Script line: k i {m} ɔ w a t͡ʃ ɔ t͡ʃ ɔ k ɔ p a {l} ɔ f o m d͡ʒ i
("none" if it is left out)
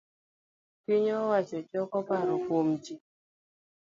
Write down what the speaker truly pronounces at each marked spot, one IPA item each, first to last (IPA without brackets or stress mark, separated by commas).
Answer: ɲ, ɾ